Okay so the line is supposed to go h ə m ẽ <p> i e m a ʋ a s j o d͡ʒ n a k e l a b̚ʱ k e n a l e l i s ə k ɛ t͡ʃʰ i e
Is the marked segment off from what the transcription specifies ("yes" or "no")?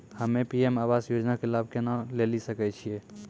no